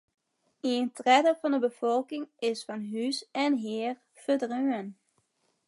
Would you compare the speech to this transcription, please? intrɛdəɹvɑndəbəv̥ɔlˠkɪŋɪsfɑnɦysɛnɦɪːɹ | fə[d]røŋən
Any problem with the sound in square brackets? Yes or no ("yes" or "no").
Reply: no